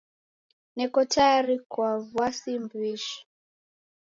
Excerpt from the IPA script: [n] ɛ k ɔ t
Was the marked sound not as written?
no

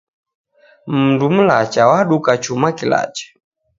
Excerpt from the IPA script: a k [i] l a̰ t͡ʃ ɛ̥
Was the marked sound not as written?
no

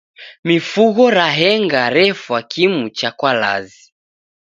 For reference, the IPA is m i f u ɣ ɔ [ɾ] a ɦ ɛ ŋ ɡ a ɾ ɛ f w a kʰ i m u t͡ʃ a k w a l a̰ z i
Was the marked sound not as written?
no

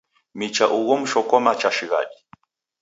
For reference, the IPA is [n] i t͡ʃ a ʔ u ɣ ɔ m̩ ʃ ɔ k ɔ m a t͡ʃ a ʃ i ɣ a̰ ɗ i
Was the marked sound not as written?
yes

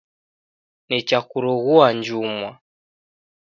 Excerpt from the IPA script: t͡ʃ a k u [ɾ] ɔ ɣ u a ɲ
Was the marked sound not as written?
no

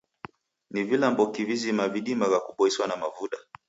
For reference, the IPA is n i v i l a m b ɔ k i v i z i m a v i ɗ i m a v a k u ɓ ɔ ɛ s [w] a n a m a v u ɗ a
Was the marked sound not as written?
no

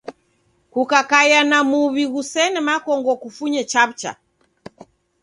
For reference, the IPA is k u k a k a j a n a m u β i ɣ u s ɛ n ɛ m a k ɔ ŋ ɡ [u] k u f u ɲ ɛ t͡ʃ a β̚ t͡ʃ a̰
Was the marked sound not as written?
yes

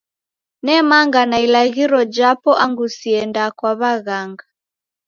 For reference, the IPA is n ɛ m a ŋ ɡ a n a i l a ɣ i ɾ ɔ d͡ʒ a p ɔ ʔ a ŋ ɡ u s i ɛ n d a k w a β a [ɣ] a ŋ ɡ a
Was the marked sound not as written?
no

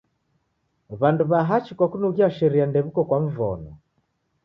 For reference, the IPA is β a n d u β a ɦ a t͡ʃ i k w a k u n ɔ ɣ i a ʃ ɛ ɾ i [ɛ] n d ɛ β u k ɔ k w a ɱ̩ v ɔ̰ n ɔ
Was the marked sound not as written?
yes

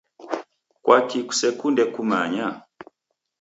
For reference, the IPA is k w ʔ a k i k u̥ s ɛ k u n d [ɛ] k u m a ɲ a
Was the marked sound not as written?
no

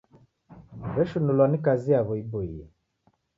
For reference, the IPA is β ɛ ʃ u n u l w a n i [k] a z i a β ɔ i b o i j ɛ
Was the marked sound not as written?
no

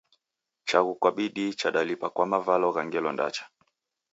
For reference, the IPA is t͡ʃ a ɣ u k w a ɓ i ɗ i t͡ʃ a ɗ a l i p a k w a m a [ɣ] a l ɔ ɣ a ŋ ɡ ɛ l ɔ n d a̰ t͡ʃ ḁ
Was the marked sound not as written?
yes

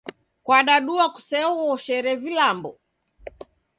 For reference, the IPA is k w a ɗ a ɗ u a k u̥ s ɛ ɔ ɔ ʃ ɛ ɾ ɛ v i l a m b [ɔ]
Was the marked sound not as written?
no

